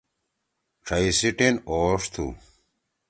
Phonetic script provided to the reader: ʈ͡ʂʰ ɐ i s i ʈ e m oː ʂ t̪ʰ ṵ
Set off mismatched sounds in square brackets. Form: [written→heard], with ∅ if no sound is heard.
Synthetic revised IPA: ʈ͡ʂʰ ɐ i s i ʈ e [m→n] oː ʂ t̪ʰ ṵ